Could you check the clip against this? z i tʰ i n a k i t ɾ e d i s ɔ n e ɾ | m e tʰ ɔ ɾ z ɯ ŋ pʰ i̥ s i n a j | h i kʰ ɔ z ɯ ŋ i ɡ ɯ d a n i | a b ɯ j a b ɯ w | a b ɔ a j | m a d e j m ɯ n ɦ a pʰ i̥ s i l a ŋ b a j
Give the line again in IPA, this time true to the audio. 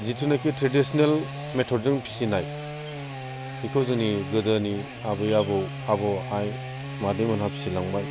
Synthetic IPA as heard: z i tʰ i n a k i t ɾ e d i s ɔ n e l | m e tʰ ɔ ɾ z ɯ ŋ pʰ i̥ s i n a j | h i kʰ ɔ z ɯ n i ɡ ɯ d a n i | a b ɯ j a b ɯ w | a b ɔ a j | m a d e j m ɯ n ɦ a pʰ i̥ s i l a ŋ b a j

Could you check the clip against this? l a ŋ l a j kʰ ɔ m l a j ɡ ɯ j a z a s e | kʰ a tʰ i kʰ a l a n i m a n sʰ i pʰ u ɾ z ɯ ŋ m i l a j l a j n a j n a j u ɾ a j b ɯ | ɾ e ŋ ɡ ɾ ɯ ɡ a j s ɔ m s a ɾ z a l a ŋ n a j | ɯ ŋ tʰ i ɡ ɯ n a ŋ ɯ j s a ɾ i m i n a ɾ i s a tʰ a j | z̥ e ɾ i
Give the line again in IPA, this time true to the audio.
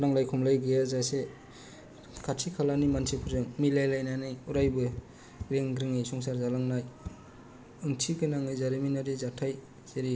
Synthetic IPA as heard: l a ŋ l a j kʰ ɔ m l a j ɡ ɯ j a z a s e | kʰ a tʰ i kʰ a l a n i m a n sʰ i pʰ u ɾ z ɯ ŋ m i l a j l a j n a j n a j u ɾ a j b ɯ | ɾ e ŋ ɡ ɾ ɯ ŋ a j s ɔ ŋ s a ɾ z a l a ŋ n a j | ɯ ŋ tʰ i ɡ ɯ n a ŋ ɯ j z a ɾ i m i n a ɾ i z a tʰ a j | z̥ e ɾ i

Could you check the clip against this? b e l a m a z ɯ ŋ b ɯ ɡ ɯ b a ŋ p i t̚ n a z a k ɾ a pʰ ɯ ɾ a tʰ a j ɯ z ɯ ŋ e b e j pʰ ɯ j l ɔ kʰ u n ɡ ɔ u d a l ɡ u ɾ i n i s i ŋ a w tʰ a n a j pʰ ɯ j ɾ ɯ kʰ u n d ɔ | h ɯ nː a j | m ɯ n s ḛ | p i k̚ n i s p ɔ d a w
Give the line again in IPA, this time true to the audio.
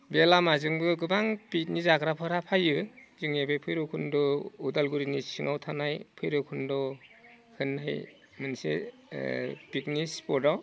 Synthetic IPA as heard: b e l a m a z ɯ ŋ b ɯ ɡ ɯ b a ŋ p i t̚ n i z a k ɾ a pʰ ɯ ɾ a pʰ a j ɯ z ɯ ŋ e b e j pʰ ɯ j ɾ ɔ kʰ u n d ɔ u d a l ɡ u ɾ i n i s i ŋ a w tʰ a n a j pʰ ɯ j ɾ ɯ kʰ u n d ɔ | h ɯ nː a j | m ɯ n s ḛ | p i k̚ n i s p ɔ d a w

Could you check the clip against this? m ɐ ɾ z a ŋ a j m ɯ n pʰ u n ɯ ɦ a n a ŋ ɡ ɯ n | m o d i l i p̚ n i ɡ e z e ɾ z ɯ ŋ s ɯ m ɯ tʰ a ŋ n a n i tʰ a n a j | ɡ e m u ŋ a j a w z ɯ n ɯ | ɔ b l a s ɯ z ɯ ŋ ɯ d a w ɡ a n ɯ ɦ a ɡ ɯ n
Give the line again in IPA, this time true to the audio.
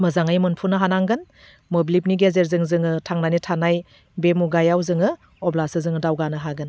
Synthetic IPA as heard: m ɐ z a ŋ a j m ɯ n pʰ u n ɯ ɦ a n a ŋ ɡ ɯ n | m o b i l i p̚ n i ɡ e z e ɾ z ɯ ŋ z ɯ ŋ ɯ tʰ a ŋ n a n i tʰ a n a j | b e m u ɡ a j a w z ɯ ŋ ɯ | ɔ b l a s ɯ z ɯ ŋ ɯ d a w ɡ a n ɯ ɦ a ɡ ɯ n

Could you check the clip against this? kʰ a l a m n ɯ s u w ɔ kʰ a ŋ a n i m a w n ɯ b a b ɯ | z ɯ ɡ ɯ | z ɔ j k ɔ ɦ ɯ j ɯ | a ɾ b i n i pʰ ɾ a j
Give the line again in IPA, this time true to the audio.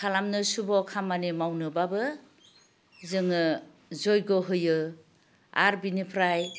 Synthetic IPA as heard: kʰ a l a m n ɯ s u b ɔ kʰ a m a n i m a w n ɯ b a b ɯ | z ɯ ŋ ɯ | z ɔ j ɡ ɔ ɦ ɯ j ɯ | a ɾ b i n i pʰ ɾ a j

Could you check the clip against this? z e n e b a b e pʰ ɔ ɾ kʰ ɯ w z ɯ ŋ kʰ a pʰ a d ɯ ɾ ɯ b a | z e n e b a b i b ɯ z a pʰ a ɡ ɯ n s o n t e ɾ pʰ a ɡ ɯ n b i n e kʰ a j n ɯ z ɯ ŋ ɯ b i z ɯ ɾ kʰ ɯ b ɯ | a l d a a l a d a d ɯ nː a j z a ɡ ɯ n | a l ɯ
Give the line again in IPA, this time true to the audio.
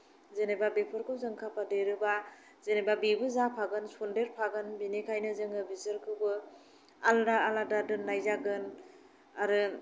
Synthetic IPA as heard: z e n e b a b e pʰ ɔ ɾ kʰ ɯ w z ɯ ŋ kʰ a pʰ a d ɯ ɾ ɯ b a | z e n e b a b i b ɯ z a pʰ a ɡ ɯ n s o n d e ɾ pʰ a ɡ ɯ n b i n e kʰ a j n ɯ z ɯ ŋ ɯ b i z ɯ ɾ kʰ ɯ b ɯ | a l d a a l a d a d ɯ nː a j z a ɡ ɯ n | a ɾ ɯ

